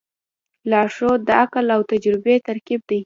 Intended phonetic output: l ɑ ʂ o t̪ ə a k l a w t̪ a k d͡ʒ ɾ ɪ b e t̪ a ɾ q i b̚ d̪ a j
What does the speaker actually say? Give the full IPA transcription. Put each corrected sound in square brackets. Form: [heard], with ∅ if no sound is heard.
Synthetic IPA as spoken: l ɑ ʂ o [d̪] ə a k l a w t̪ a [∅] d͡ʒ ɾ ɪ b e t̪ a ɾ [k] i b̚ d̪ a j